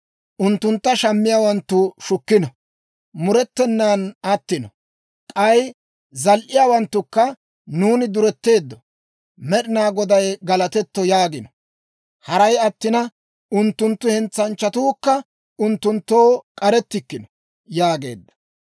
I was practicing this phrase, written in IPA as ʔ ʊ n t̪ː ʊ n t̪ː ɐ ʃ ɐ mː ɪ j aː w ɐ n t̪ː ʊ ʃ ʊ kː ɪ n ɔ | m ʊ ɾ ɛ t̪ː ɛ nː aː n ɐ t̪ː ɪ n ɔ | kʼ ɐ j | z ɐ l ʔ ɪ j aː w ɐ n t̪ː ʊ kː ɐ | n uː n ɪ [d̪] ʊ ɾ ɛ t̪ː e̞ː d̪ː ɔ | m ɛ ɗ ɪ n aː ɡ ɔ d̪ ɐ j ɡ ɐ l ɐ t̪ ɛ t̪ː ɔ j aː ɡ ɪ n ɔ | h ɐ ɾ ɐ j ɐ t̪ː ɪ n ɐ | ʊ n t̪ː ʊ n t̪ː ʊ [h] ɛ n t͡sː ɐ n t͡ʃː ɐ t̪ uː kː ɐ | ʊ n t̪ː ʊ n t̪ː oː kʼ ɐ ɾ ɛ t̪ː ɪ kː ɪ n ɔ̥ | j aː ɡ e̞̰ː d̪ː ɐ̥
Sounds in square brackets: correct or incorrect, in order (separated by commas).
correct, correct